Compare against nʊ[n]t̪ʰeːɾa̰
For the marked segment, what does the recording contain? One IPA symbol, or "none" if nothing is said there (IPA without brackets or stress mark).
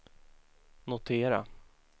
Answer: none